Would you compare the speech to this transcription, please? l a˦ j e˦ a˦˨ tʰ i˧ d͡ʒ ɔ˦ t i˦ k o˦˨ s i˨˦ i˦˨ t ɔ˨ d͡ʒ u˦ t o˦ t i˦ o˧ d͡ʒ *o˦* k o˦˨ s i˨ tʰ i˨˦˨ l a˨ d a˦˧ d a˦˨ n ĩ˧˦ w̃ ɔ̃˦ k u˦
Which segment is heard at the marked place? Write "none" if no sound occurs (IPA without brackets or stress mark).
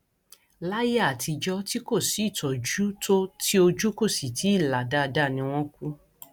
u˦